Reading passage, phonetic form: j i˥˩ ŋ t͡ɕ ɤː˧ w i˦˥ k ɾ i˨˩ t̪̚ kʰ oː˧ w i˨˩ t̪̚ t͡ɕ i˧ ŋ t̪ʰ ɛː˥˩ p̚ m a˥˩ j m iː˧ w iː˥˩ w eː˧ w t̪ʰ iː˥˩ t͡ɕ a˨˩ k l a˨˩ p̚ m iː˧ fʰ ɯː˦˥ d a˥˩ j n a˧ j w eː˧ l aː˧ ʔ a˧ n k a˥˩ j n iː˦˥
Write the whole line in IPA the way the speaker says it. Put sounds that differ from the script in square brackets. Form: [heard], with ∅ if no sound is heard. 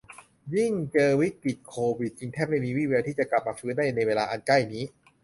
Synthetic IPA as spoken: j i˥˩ ŋ t͡ɕ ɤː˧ w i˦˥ k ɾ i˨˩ t̪̚ kʰ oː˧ w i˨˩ t̪̚ t͡ɕ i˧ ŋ t̪ʰ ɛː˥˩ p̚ m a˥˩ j m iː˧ w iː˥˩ w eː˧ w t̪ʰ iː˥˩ t͡ɕ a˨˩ k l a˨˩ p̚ m [aː˧] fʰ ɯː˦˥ d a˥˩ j n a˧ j w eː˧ l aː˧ ʔ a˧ n k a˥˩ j n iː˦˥